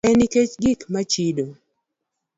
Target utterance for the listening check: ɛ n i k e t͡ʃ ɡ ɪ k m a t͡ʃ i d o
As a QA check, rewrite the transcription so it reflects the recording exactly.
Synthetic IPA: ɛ n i k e t͡ʃ ɡ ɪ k m a t͡ʃ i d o

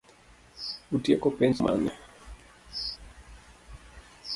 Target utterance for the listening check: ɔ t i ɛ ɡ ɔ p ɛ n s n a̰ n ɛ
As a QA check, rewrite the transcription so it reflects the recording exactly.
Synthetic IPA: u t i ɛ k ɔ p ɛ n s m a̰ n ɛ

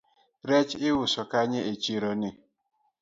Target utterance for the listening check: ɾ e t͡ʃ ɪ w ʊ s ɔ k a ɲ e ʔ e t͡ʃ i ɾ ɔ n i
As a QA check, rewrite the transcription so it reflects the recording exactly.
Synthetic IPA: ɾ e t͡ʃ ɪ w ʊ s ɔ k a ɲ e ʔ e t͡ʃ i ɾ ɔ n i

